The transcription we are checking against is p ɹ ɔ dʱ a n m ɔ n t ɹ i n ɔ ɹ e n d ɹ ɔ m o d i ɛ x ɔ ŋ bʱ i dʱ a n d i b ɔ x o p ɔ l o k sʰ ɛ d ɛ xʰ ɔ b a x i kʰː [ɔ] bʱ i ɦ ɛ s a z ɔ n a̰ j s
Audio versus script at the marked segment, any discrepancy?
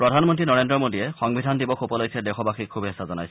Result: yes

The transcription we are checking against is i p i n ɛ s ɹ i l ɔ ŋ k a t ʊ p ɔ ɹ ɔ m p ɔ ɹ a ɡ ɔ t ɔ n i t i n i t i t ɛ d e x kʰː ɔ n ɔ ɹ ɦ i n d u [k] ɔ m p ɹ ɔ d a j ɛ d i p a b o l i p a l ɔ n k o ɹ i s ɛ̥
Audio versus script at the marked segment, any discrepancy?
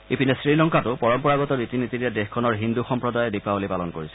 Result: yes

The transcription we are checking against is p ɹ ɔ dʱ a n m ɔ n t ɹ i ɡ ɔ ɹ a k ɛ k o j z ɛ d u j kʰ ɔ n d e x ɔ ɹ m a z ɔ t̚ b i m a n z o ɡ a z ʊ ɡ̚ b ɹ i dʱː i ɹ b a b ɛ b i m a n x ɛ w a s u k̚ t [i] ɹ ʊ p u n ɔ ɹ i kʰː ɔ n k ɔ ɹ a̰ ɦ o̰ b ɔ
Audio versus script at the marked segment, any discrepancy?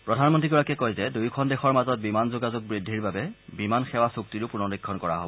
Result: no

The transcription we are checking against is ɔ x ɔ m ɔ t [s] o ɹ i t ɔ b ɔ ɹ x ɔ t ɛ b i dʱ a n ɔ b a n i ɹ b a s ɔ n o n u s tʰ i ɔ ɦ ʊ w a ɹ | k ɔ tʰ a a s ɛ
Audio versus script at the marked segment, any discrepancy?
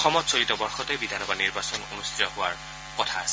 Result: no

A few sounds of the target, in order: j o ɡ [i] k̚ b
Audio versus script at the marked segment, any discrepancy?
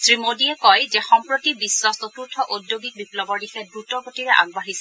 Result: no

